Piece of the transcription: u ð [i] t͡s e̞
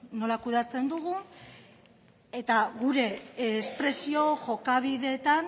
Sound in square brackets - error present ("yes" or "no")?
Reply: yes